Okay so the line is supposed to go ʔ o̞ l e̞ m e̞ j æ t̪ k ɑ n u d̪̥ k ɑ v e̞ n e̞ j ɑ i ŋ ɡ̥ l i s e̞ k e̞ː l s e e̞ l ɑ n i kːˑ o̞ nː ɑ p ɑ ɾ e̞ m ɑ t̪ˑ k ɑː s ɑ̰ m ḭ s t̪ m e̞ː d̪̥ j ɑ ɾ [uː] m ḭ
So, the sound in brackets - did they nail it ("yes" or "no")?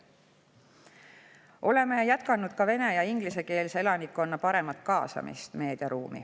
yes